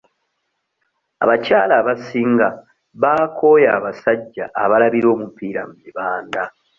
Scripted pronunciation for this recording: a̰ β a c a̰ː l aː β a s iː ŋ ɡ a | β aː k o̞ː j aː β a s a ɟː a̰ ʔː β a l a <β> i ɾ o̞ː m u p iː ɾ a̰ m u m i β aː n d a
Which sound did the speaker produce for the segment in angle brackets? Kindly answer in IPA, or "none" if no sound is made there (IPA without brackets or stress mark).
β